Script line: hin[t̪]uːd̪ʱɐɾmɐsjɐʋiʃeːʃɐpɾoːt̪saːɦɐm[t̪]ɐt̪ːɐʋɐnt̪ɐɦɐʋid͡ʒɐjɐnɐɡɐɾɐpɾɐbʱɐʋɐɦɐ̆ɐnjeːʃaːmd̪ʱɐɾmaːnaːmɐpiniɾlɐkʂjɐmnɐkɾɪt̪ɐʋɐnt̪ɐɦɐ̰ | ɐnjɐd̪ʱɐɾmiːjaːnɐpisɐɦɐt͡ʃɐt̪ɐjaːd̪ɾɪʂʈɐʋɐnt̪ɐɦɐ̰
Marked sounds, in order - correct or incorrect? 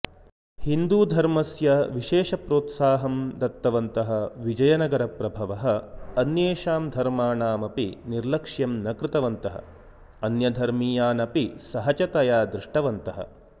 incorrect, incorrect

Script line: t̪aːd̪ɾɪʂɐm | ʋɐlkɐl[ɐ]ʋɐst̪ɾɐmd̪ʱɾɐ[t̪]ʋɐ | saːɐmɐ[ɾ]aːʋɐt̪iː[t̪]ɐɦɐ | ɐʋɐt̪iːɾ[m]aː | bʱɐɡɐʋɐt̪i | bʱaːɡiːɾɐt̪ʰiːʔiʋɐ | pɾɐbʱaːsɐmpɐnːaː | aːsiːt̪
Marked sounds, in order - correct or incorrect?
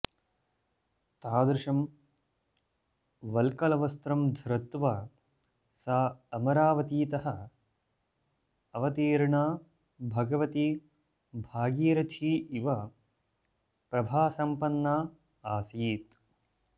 correct, correct, correct, correct, incorrect

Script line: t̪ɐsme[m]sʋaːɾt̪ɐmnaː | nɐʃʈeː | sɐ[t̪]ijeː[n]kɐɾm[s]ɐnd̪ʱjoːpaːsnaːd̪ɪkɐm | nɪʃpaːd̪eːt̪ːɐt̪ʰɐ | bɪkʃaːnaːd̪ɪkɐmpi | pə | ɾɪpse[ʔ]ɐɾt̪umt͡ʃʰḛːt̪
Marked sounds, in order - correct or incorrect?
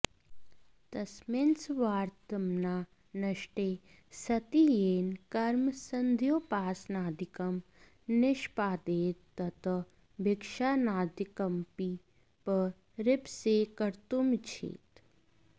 incorrect, correct, correct, correct, incorrect

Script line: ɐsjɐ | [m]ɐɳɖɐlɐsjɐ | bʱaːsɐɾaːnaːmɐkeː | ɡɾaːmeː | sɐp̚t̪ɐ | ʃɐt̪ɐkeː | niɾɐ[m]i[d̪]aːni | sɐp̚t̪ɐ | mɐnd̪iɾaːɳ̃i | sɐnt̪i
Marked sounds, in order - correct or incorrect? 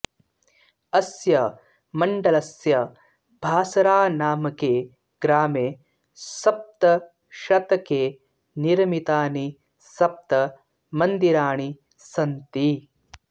correct, correct, incorrect

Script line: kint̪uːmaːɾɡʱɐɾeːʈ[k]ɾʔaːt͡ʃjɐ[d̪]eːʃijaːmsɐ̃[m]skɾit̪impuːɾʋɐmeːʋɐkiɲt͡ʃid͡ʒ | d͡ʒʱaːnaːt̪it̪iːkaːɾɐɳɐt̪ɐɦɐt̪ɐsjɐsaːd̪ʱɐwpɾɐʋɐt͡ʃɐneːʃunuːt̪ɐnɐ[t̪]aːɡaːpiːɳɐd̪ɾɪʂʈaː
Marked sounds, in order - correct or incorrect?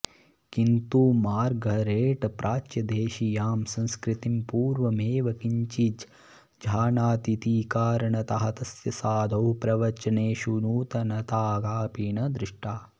incorrect, correct, incorrect, correct

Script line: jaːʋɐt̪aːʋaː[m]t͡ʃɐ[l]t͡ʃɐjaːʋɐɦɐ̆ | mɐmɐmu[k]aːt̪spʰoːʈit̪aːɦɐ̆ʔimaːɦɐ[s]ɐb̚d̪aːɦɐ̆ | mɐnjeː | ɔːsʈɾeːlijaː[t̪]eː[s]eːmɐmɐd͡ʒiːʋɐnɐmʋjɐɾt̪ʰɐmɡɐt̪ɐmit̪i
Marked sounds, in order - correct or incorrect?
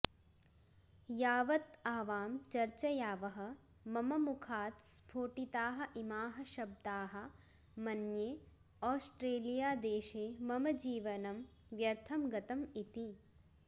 correct, incorrect, incorrect, incorrect, incorrect, incorrect

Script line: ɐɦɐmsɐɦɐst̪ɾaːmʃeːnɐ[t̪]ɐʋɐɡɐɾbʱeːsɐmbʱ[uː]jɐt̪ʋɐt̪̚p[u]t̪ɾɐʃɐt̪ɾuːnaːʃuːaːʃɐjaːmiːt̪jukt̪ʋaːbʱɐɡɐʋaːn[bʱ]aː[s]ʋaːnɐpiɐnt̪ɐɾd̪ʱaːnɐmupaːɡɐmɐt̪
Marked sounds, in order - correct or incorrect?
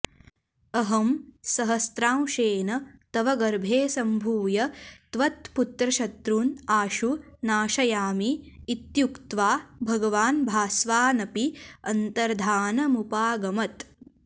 correct, correct, correct, correct, correct

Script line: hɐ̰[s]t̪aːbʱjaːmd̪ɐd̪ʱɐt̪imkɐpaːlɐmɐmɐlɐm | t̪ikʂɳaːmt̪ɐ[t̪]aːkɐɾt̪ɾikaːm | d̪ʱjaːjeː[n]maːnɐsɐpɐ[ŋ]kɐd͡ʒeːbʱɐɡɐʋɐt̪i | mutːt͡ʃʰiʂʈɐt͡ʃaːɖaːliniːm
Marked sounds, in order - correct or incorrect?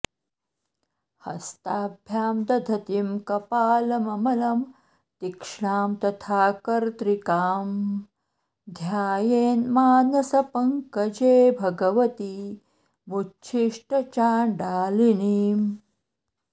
correct, incorrect, correct, correct

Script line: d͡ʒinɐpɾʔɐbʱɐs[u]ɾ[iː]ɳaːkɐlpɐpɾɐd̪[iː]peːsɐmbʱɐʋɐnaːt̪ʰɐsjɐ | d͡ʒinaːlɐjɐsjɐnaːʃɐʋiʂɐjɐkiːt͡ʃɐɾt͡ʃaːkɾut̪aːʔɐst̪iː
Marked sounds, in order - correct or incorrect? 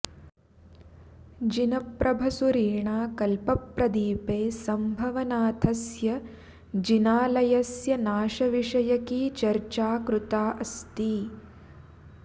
correct, correct, correct

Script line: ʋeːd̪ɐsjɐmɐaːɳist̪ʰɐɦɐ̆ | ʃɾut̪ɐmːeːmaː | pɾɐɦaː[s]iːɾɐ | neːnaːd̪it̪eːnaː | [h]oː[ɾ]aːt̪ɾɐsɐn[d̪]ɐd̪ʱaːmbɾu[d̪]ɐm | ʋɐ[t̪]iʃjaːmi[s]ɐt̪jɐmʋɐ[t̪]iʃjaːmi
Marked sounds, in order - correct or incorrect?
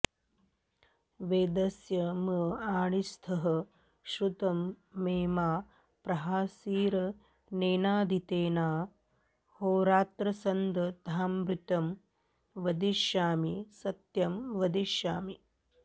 correct, correct, correct, correct, incorrect, incorrect, correct, incorrect

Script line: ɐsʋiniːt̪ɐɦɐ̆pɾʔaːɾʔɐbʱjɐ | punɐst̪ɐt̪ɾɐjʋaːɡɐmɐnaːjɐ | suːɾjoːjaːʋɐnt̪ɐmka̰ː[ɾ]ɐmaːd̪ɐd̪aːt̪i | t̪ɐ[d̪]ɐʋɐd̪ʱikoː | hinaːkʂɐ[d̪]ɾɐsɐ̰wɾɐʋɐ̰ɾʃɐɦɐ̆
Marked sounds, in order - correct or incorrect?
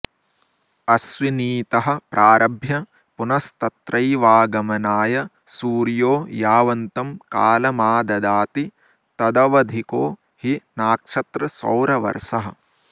incorrect, correct, incorrect

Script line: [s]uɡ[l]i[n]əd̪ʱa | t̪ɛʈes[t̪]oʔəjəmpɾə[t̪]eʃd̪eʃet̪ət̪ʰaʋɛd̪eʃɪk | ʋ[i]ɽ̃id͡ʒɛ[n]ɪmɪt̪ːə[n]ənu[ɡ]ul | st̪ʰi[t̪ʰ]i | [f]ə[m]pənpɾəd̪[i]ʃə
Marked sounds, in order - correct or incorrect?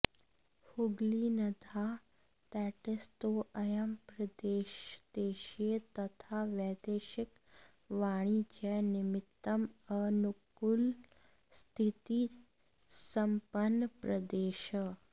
incorrect, correct, correct, correct, incorrect, incorrect, correct, incorrect, incorrect, incorrect, incorrect, correct, incorrect

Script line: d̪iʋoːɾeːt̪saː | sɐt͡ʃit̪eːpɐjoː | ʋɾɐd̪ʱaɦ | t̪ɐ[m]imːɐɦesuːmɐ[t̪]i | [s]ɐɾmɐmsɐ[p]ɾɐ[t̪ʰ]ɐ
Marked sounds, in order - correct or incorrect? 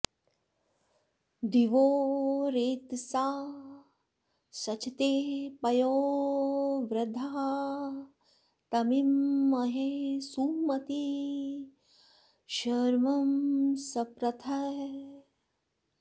correct, correct, incorrect, correct, correct

